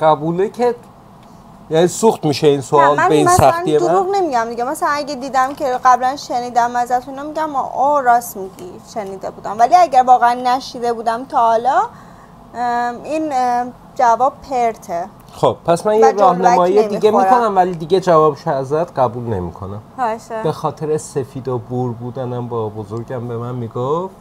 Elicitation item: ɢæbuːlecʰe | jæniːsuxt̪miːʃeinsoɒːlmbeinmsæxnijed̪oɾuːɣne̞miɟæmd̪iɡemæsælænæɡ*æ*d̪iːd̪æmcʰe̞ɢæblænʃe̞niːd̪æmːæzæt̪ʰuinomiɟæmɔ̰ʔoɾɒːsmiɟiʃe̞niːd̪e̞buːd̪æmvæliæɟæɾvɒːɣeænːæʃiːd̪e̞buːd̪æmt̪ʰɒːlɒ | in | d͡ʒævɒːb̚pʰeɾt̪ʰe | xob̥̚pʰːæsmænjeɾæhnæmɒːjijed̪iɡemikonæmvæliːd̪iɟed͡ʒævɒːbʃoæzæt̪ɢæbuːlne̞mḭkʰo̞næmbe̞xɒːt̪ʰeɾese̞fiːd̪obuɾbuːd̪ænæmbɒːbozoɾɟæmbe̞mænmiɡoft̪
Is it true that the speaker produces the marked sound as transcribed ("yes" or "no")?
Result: no